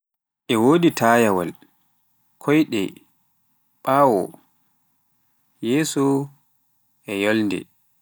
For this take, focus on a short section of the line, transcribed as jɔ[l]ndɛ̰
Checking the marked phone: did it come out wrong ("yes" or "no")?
no